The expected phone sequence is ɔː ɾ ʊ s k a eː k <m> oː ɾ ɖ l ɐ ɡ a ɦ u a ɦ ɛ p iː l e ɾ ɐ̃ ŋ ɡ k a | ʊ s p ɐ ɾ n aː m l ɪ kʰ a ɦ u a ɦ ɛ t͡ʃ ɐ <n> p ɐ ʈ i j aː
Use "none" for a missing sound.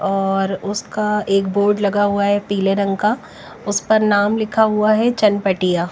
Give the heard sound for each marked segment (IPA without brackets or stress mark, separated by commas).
b, n